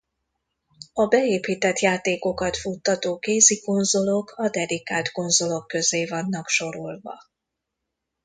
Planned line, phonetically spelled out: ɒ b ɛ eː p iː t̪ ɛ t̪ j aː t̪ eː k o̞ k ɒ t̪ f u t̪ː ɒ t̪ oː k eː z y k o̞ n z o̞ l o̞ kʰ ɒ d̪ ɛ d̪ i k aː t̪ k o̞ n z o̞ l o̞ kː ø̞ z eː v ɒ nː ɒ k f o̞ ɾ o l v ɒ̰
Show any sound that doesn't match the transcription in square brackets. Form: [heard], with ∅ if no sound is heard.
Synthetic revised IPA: ɒ b ɛ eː p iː t̪ ɛ t̪ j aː t̪ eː k o̞ k ɒ t̪ f u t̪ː ɒ t̪ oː k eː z [i] k o̞ n z o̞ l o̞ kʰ ɒ d̪ ɛ d̪ i k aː t̪ k o̞ n z o̞ l o̞ kː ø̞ z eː v ɒ nː ɒ k [ʃ] o̞ ɾ o l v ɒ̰